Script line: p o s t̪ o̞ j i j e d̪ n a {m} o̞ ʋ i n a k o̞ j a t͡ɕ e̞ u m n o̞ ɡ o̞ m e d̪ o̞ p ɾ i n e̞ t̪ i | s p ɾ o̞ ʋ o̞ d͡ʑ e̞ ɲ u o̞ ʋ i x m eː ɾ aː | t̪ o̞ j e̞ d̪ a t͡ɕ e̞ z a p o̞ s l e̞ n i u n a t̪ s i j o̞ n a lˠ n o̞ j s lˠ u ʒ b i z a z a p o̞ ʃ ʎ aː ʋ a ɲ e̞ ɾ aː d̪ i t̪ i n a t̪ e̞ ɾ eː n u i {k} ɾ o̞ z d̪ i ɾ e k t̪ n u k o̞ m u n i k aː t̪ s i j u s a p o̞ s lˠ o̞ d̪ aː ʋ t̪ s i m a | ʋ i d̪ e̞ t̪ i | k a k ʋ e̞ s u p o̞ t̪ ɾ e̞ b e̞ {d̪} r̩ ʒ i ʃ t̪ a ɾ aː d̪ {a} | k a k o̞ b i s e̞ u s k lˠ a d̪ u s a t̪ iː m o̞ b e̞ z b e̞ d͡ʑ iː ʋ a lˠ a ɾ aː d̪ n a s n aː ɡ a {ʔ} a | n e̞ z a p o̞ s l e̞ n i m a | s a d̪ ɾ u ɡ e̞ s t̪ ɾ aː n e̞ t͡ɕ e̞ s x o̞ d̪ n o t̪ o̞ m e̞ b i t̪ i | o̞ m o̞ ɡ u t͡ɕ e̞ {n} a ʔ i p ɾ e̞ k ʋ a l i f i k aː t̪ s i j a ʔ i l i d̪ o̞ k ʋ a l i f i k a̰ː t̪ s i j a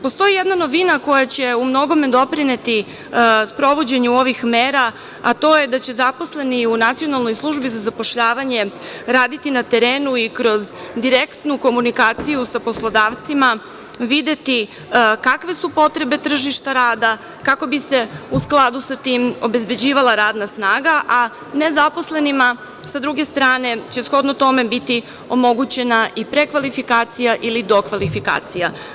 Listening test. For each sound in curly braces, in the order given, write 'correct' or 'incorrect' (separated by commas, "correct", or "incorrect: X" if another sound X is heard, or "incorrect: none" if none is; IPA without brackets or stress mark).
incorrect: n, correct, incorrect: t̪, correct, correct, correct